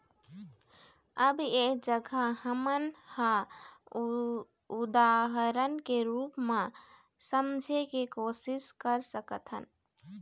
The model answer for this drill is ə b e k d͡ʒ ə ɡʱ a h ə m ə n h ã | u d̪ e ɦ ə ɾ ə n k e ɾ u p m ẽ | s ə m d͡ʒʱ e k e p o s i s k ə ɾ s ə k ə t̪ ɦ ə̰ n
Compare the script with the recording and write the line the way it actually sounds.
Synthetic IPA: ə b e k d͡ʒ ə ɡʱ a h ə m ə n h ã | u d̪ a ɦ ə ɾ ə n k e ɾ u p m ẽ | s ə m d͡ʒʱ e k e k o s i s k ə ɾ s ə k ə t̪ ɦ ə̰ n

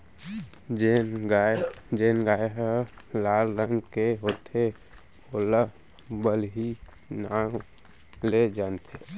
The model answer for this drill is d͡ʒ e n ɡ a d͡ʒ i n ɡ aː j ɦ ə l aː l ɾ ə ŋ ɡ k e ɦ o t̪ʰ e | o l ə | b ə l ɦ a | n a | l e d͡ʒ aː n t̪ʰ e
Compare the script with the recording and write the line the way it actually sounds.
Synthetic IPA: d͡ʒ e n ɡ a d͡ʒ e n ɡ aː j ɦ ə l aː l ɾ ə ŋ ɡ k e ɦ o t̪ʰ e | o l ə | b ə l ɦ i | n a | l e d͡ʒ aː n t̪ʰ e

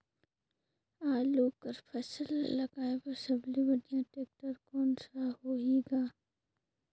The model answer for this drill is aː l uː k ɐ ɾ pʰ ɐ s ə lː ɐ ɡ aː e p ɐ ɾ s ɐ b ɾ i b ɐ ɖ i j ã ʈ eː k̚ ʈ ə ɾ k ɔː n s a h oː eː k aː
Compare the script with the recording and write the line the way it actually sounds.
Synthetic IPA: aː l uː k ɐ ɾ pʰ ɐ s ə lː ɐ ɡ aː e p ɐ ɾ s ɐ b l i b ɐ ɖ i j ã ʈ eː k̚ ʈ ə ɾ k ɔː n s a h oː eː ɡ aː

